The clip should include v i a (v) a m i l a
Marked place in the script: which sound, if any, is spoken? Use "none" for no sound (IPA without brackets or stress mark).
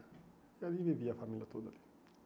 f